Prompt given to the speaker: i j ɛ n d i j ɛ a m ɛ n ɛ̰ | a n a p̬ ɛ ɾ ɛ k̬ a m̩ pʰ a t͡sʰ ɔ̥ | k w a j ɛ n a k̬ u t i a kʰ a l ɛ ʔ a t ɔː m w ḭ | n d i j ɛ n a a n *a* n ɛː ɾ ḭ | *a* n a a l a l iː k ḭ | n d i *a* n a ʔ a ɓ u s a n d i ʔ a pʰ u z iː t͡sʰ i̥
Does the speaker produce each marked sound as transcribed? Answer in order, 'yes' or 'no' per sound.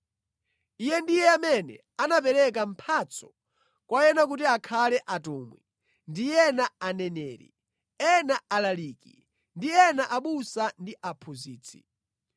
no, no, no

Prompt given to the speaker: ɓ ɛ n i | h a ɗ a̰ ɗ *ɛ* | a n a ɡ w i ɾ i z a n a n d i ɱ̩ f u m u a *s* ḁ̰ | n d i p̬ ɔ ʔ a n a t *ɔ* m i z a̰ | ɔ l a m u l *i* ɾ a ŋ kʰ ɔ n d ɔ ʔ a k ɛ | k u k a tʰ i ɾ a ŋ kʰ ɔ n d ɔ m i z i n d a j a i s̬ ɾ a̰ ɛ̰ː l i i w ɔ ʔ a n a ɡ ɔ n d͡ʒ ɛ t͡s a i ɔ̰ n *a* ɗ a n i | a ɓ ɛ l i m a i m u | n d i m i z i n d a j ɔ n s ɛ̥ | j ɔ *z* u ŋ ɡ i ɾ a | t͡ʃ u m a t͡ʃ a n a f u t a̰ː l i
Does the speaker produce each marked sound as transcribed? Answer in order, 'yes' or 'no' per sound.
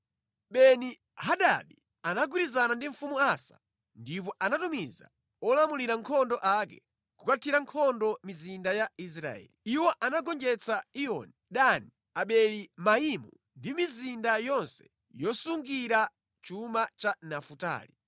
no, yes, no, yes, no, no

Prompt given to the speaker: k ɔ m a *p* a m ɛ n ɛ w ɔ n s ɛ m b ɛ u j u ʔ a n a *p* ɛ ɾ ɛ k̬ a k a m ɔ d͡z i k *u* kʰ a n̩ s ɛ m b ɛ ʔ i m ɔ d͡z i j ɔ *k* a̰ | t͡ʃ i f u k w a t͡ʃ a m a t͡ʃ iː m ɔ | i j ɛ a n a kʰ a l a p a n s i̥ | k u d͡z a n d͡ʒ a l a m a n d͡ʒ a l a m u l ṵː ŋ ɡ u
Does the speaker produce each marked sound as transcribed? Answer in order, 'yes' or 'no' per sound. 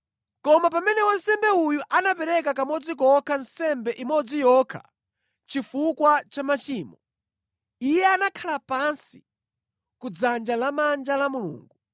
yes, yes, no, no

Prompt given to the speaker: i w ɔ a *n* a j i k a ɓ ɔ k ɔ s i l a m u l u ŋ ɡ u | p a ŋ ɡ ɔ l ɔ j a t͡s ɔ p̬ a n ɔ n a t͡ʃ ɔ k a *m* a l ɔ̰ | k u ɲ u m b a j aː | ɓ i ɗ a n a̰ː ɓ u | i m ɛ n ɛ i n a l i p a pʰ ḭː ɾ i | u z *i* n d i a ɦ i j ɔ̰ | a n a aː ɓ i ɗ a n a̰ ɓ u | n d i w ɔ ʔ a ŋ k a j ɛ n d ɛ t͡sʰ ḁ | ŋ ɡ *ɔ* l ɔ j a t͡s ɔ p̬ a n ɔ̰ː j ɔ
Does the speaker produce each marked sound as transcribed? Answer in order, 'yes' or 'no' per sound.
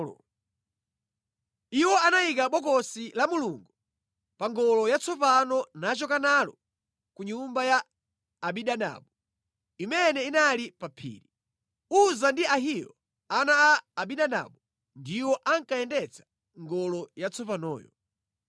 yes, no, no, yes

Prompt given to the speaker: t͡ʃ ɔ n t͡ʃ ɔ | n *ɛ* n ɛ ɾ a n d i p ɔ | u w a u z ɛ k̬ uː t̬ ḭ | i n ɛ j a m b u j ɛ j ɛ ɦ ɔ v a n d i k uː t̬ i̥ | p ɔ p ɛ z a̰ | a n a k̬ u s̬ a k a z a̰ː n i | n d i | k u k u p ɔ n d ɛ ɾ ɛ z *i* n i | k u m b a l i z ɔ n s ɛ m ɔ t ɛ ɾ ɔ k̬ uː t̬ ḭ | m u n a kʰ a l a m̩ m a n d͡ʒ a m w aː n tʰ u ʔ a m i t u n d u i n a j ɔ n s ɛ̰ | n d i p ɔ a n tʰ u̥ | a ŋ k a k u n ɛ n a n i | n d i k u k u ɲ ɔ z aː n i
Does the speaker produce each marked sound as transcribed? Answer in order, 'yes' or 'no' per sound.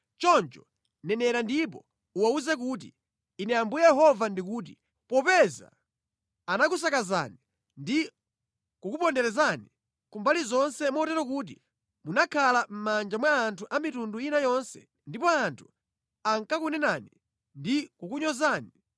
yes, no

